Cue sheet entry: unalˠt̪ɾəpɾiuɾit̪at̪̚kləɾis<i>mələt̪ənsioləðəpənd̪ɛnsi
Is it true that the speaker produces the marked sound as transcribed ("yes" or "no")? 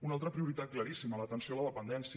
yes